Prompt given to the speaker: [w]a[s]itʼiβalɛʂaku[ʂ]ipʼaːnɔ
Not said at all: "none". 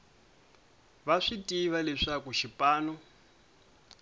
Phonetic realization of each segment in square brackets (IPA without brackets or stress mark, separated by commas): β, ʂ, ʃ